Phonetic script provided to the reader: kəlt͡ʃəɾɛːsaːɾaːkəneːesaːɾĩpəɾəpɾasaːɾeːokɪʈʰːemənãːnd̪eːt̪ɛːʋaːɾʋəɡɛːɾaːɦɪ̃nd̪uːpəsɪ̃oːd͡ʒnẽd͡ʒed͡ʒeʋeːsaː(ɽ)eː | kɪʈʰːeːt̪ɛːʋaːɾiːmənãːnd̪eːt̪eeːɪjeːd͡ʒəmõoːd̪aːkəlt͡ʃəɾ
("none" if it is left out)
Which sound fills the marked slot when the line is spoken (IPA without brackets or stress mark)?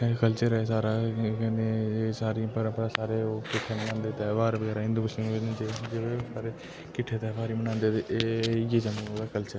ɾ